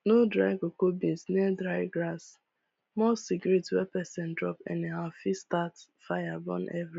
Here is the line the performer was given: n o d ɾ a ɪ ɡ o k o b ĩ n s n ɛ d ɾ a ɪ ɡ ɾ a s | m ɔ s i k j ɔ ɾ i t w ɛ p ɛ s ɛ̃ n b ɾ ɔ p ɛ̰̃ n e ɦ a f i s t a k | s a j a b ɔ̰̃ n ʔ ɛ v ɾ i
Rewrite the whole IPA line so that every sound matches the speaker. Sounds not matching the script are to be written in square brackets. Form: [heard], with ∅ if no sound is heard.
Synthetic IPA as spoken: n o d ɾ a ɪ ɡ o k o b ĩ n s n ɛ d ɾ a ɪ ɡ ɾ a s | m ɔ s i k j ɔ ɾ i t w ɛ p ɛ s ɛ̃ n [d] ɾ ɔ p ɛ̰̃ n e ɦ a f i s t a [t] | [f] a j a b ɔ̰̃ n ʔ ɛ v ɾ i